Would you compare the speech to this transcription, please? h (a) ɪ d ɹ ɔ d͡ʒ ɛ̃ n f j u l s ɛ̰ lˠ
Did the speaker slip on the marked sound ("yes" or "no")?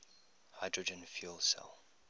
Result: no